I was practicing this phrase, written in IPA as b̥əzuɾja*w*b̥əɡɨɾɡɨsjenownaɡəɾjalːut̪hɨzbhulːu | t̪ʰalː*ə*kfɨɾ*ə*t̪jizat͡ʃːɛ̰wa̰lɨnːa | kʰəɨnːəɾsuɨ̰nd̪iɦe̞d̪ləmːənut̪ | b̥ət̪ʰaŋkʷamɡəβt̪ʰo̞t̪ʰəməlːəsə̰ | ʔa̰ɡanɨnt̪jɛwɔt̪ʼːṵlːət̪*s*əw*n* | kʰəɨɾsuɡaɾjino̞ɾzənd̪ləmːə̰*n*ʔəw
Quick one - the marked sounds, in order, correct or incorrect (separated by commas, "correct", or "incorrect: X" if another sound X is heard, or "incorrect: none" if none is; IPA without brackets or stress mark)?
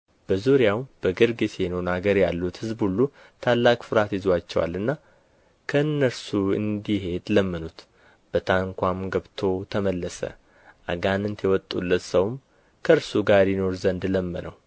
correct, incorrect: a, incorrect: a, correct, incorrect: m, correct